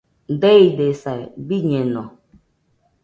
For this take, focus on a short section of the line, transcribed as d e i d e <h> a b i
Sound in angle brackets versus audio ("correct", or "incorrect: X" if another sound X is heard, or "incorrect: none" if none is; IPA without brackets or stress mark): incorrect: s